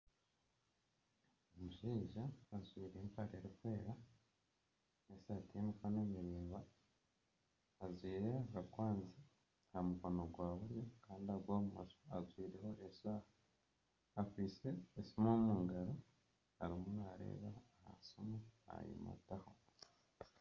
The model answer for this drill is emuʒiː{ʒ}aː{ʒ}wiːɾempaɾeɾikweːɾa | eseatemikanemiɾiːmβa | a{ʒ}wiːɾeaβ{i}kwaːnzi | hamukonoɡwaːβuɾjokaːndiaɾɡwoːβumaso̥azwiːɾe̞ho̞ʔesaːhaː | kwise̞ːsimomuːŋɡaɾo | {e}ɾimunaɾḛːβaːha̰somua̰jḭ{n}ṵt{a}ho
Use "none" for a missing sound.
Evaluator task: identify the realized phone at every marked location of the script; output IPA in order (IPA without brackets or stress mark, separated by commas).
ʒ, z, z, a, a, m, a